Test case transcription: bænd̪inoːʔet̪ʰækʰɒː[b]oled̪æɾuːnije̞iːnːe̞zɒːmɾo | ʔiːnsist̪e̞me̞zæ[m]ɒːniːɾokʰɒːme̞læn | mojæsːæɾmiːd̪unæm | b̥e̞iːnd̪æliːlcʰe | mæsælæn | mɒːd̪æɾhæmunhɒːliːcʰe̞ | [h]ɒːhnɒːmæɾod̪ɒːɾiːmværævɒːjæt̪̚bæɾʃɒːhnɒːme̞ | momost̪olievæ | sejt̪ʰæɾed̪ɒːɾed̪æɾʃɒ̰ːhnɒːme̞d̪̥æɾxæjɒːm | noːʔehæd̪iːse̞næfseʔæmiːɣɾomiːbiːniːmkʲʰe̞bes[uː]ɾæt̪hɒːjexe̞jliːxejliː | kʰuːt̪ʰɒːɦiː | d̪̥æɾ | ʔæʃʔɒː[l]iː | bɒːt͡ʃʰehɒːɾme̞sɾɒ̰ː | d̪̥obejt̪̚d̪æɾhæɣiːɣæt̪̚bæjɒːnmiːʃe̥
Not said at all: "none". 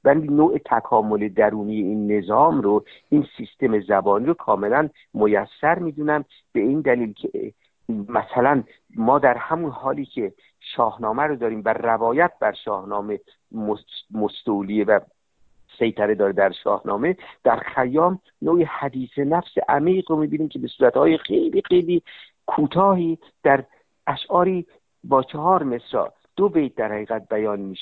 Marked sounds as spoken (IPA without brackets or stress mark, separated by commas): m, b, ʃ, uː, ɾ